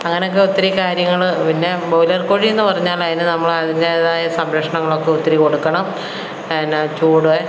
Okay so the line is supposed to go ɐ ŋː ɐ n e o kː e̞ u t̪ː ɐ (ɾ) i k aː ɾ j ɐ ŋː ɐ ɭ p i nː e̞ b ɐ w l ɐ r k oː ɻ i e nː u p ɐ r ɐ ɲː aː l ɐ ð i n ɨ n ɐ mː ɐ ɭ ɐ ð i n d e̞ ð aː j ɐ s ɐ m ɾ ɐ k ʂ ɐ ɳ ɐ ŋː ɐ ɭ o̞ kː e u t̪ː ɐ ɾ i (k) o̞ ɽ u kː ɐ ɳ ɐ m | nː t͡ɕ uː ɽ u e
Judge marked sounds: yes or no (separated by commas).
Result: yes, yes